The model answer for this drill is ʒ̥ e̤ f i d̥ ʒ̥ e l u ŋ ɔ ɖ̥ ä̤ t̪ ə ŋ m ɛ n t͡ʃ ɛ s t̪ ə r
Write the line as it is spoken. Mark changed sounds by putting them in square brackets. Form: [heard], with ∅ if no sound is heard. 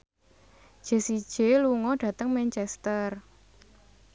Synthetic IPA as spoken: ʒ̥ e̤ [s] i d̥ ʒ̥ e l u ŋ ɔ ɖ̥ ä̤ t̪ ə ŋ m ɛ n t͡ʃ ɛ s t̪ ə r

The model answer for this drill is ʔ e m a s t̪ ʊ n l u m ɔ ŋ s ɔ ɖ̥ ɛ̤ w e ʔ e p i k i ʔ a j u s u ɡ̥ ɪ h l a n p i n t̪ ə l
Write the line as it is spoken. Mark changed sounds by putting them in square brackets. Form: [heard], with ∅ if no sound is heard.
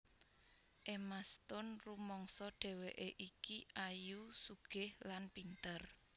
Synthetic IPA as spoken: ʔ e m a s t̪ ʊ n [r] u m ɔ ŋ s ɔ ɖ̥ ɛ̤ w e ʔ e [ʔ] i k i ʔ a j u s u ɡ̥ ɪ h l a n p i n t̪ ə [r]

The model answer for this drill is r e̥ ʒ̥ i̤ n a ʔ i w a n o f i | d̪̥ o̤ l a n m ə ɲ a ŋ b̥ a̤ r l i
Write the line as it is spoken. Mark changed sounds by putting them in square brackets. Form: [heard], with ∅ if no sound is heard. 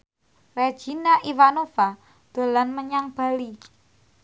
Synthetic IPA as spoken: r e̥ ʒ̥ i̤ n a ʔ i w a n o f [a] | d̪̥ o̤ l a n m ə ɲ a ŋ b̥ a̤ [∅] l i

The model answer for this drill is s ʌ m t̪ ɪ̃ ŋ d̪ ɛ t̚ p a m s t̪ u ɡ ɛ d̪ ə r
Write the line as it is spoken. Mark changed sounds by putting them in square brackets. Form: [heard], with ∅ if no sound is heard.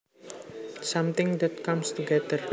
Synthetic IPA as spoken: s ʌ m t̪ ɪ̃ ŋ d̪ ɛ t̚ [k] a m s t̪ u ɡ ɛ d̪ ə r

